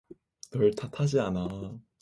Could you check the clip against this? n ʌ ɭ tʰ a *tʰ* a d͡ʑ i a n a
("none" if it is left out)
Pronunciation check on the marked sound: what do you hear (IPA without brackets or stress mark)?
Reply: tʰ